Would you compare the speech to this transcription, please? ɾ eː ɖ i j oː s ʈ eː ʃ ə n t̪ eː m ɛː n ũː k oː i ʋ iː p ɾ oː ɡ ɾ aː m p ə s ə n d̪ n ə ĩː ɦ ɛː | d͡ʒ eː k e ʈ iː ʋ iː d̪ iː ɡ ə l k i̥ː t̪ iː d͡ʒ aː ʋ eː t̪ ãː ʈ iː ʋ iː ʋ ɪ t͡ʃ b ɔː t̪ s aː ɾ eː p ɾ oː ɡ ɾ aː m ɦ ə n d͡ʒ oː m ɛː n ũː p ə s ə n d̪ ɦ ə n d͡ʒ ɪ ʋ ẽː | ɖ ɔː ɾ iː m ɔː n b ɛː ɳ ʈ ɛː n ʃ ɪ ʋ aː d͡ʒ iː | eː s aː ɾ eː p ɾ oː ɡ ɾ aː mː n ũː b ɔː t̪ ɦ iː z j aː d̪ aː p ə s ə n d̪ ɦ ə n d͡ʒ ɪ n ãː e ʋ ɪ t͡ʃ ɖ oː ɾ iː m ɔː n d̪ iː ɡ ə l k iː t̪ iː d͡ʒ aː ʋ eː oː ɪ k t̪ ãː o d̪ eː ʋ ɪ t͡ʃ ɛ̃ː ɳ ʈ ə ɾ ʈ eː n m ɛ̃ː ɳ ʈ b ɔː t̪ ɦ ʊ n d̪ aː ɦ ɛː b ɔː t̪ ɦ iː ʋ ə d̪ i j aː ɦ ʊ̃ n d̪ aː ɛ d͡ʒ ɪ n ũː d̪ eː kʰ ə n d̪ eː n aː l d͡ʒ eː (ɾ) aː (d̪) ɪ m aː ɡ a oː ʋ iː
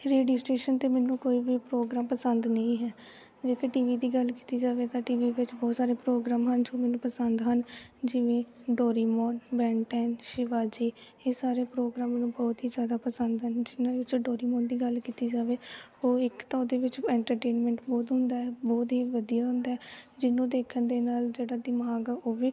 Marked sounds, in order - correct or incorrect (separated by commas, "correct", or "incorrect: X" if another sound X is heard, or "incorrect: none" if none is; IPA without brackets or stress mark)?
incorrect: ɽ, correct